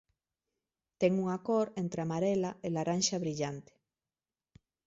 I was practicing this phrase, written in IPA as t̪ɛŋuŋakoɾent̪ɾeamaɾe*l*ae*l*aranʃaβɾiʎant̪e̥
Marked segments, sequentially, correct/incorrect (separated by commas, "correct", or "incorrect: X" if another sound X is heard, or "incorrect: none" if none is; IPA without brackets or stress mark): correct, correct